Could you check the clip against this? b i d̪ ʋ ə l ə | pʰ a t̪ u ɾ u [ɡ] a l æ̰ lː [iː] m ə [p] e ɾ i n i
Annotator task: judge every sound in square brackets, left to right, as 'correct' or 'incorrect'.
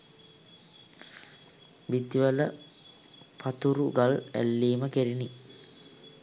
correct, correct, incorrect

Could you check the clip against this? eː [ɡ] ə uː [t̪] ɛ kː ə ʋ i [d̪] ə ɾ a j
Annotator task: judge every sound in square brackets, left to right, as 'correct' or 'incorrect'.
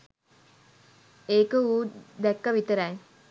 incorrect, incorrect, incorrect

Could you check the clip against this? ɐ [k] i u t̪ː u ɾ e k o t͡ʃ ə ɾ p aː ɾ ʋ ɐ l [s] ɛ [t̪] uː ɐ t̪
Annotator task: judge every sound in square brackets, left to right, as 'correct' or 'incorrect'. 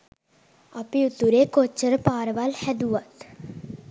incorrect, incorrect, incorrect

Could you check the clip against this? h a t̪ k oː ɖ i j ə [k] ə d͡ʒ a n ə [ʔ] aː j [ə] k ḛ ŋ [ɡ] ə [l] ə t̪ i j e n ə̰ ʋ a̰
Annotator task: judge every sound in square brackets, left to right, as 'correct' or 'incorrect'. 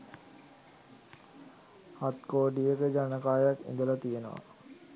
correct, incorrect, incorrect, correct, correct

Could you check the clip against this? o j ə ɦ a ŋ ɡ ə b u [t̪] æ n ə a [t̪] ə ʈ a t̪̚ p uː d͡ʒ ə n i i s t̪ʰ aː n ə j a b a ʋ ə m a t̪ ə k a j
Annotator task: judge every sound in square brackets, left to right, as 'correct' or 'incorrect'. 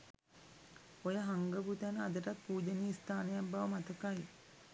correct, incorrect

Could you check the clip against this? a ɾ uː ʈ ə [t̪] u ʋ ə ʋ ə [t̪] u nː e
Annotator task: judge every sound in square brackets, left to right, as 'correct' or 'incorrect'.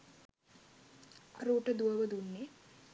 incorrect, incorrect

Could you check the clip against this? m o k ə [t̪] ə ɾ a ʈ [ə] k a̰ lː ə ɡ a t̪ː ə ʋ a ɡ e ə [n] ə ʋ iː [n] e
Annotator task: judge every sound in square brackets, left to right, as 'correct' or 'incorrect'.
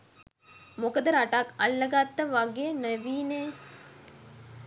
incorrect, incorrect, correct, correct

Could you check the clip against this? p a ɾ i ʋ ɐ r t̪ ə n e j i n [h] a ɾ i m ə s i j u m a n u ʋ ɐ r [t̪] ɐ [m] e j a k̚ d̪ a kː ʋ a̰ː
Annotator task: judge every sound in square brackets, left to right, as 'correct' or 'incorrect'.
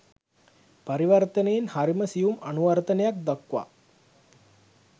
correct, correct, incorrect

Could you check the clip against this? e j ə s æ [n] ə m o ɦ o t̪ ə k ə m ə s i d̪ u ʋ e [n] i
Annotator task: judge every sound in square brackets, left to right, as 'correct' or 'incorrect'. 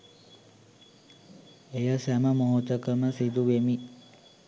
incorrect, incorrect

